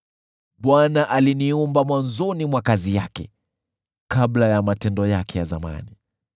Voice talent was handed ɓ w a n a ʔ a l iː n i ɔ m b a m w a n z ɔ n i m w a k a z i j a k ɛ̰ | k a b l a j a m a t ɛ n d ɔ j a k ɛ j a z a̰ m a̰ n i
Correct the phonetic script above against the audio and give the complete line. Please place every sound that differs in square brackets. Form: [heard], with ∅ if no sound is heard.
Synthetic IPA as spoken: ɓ w a n a ʔ a l [i] n i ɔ m b a m w a n z ɔ n i m w a k a z i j a k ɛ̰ | k a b l a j a m a t ɛ n d ɔ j a k ɛ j a z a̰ m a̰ n i